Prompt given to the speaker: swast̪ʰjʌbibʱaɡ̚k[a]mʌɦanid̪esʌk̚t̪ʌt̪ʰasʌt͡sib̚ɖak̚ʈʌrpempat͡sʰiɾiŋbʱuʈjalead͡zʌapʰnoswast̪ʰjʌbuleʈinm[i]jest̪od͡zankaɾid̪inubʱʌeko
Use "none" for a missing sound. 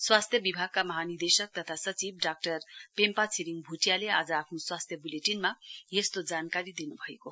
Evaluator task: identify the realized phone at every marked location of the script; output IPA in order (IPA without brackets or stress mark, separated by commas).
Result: a, a